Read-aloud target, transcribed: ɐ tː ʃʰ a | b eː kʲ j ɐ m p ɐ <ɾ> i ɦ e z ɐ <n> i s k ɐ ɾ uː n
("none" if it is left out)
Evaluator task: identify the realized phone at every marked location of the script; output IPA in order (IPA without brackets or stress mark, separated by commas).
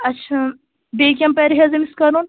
ɾ, m